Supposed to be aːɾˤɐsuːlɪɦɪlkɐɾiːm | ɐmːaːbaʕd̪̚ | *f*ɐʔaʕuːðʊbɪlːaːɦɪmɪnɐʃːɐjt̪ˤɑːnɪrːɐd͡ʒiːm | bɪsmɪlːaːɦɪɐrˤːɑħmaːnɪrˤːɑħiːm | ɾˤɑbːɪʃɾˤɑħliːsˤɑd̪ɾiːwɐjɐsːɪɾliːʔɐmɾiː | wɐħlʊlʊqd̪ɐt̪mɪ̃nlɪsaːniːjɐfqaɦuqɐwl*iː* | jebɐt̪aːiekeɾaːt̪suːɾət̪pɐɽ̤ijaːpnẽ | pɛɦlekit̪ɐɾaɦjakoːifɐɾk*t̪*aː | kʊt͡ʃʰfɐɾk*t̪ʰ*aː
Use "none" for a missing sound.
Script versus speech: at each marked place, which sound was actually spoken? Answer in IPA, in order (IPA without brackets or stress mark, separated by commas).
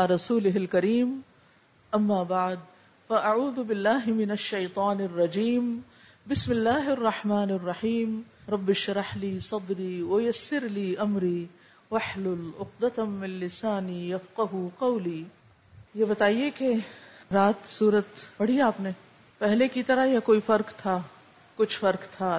f, iː, t̪ʰ, t̪ʰ